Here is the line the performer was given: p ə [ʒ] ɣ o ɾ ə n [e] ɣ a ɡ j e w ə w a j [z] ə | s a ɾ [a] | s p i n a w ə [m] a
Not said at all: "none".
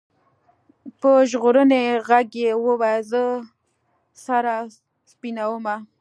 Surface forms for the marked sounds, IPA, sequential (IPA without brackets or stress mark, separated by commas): ʒ, e, z, a, m